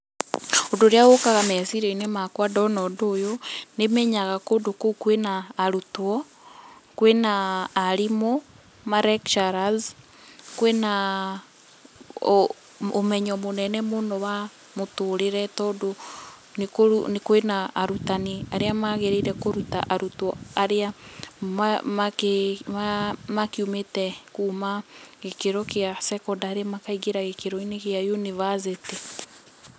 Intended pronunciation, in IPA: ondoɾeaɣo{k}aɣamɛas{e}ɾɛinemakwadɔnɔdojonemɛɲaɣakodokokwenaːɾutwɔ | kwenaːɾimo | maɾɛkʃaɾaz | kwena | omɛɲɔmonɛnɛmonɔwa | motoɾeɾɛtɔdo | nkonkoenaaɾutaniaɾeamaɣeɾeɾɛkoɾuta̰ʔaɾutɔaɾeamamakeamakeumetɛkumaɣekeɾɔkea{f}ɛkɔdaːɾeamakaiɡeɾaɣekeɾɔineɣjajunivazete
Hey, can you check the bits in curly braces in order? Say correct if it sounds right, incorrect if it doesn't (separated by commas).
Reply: correct, incorrect, incorrect